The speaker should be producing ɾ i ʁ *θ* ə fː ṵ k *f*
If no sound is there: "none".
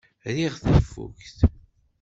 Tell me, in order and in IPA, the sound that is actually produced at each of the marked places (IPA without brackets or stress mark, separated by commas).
θ, θ